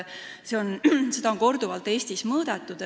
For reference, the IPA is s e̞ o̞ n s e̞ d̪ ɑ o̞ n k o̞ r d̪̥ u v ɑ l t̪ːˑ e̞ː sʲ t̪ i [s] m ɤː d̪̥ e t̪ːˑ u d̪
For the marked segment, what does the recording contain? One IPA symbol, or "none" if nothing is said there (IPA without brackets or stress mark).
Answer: s